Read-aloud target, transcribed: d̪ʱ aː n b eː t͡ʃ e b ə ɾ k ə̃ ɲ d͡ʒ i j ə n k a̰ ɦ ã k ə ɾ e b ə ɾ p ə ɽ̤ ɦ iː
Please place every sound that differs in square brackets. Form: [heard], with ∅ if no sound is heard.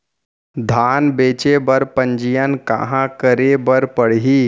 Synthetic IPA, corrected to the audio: d̪ʱ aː n b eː t͡ʃ e b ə ɾ [p] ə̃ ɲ d͡ʒ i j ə n k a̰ ɦ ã k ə ɾ e b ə ɾ p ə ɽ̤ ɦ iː